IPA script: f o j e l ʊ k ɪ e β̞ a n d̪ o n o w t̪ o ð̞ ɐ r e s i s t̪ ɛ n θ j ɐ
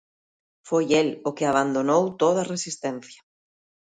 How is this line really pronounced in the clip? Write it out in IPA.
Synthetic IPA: f o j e l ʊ k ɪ a β̞ a n d̪ o n o w t̪ o ð̞ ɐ r e s i s t̪ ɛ n θ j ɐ